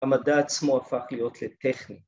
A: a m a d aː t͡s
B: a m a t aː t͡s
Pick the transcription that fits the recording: A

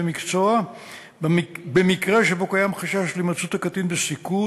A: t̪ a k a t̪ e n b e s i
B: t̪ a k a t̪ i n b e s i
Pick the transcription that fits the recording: B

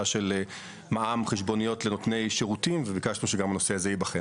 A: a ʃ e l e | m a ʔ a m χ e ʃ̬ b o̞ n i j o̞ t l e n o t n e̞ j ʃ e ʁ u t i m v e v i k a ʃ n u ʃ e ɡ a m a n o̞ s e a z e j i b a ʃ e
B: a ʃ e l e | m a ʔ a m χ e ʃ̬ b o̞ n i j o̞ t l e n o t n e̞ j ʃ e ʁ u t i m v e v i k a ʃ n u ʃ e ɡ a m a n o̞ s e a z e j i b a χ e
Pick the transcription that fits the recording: B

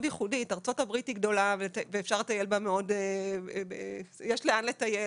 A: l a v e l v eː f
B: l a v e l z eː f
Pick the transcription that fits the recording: A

